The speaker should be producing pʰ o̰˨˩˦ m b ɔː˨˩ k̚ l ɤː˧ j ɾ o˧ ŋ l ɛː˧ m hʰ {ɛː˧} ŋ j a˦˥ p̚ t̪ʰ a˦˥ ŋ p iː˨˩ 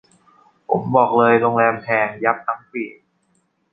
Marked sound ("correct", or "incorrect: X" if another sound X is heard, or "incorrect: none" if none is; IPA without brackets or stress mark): correct